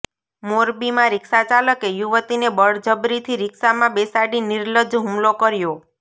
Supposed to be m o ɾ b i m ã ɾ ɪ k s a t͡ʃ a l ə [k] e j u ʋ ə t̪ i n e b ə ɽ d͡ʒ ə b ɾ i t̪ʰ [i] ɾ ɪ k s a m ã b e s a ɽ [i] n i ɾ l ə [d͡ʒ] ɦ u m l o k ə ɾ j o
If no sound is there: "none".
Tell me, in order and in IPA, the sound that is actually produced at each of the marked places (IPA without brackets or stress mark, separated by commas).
k, i, i, d͡ʒ